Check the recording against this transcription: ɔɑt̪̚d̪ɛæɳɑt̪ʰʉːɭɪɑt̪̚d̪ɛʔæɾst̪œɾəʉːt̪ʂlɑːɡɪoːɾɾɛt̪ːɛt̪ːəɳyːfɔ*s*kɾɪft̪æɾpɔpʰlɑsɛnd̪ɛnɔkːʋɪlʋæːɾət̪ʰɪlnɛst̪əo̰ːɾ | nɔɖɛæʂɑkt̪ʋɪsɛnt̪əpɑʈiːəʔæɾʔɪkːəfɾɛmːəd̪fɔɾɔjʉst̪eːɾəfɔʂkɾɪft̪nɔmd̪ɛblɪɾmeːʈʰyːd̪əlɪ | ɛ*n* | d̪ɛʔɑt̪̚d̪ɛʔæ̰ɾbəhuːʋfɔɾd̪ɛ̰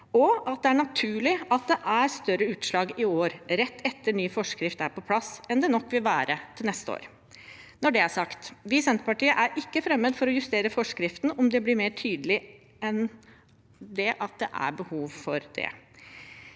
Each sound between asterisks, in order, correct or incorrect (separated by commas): incorrect, correct